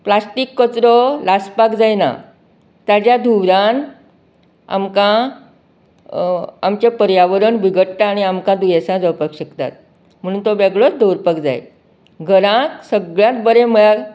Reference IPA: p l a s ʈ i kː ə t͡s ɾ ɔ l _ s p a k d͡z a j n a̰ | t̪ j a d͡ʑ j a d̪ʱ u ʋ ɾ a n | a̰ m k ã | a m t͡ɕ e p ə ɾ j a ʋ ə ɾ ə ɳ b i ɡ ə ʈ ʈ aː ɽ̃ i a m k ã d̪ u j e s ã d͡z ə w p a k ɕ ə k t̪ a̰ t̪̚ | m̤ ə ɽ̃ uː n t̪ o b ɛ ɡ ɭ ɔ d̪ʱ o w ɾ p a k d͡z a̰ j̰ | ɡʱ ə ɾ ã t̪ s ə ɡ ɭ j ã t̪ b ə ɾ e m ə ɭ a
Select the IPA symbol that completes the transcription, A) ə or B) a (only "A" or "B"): B